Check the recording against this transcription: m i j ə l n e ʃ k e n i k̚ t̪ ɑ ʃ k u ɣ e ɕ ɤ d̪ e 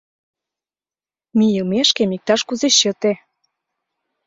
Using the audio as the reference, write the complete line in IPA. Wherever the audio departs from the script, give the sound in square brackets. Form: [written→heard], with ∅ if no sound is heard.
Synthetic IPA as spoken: m i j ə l [n→m] e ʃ k e [n→m] i k̚ t̪ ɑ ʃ k u [ɣ→z] e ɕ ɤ [d̪→t̪] e